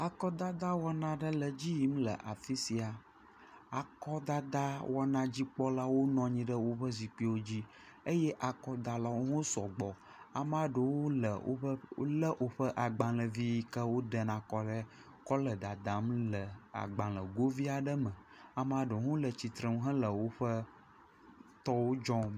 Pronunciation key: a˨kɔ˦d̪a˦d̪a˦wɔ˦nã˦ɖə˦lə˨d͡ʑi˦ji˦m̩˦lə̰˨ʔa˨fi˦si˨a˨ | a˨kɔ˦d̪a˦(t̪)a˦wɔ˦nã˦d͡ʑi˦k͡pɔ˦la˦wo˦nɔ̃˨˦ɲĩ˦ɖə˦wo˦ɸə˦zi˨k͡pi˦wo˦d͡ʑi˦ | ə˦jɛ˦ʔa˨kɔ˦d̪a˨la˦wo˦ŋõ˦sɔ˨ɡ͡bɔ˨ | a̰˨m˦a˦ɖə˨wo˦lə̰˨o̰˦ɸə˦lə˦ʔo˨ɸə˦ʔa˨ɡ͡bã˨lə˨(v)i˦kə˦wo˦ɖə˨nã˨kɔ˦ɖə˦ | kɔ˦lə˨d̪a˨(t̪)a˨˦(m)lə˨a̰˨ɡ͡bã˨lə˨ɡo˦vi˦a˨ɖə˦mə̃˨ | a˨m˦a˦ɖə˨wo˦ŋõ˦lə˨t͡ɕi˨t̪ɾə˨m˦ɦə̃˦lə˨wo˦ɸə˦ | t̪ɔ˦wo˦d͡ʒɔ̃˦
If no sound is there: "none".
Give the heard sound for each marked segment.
d̪, v, d̪, m

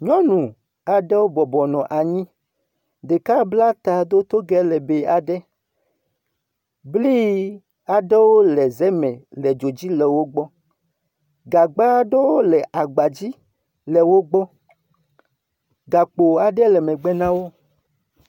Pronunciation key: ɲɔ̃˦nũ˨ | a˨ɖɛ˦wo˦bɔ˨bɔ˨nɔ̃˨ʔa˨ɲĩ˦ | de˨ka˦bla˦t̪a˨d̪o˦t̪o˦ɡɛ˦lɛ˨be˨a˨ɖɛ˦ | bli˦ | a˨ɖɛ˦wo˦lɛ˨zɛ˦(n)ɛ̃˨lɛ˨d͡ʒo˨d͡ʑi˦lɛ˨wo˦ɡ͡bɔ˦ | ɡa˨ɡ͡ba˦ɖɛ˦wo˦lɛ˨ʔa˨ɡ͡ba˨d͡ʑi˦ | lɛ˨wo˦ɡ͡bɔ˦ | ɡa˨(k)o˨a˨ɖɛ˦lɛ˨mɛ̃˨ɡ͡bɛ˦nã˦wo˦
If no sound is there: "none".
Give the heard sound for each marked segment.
m, k͡p

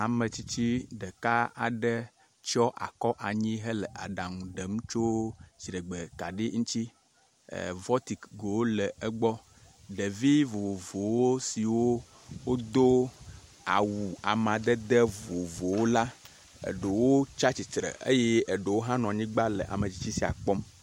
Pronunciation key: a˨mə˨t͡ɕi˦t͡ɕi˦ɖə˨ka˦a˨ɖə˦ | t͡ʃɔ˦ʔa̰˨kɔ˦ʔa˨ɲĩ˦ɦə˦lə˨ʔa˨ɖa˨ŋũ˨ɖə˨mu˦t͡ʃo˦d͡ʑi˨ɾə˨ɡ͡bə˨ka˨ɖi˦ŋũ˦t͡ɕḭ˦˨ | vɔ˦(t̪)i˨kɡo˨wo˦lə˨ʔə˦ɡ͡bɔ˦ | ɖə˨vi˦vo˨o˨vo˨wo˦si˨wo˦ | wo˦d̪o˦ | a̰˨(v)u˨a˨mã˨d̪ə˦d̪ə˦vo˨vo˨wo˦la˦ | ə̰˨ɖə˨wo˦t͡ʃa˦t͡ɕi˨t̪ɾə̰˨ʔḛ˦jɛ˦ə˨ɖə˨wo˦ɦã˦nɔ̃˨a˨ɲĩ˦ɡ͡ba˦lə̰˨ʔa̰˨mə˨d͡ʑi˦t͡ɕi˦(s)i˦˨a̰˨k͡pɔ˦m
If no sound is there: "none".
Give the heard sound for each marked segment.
t̪, w, s

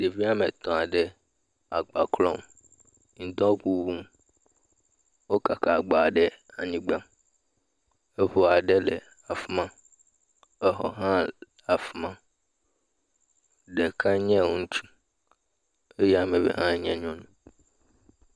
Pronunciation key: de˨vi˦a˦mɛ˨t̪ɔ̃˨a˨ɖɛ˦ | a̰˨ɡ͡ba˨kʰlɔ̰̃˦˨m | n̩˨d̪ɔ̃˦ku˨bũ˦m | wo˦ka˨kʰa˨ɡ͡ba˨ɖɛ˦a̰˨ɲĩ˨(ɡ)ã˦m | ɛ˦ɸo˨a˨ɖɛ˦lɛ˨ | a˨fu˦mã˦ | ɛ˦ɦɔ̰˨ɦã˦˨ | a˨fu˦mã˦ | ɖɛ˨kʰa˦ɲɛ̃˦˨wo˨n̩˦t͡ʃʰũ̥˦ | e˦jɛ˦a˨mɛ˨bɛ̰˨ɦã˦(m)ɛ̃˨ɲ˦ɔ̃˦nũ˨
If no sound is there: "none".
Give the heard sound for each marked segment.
ɡ͡b, ɲ

